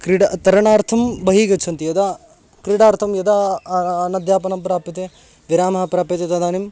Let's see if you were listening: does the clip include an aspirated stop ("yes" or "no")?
yes